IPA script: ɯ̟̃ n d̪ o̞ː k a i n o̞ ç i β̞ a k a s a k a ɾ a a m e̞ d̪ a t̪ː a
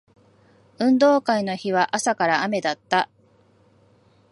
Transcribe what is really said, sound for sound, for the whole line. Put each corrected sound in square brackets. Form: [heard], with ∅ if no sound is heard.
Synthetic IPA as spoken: ɯ̟̃ n d̪ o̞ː k a i n o̞ ç i β̞ a [ʔ] a s a k a ɾ a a m e̞ d̪ a t̪ː a